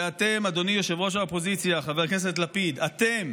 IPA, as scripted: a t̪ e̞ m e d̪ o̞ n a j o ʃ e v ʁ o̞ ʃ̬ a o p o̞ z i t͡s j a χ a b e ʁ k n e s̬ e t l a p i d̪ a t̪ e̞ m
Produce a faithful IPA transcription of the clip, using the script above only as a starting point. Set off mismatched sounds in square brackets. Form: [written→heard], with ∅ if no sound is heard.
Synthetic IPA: a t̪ e̞ m [e→a] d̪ o̞ n [a→i] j o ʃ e v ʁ o̞ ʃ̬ a o p o̞ z i t͡s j a χ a [b→v] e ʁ k n e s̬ e t l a p i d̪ a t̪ e̞ m